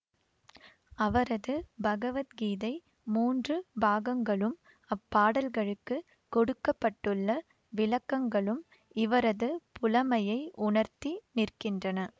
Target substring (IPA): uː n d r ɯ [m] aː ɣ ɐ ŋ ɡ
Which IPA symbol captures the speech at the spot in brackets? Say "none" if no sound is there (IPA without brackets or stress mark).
b